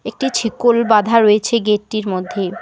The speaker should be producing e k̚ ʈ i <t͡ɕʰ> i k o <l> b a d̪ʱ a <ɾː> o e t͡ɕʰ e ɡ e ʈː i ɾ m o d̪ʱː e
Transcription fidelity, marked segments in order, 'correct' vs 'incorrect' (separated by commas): correct, correct, incorrect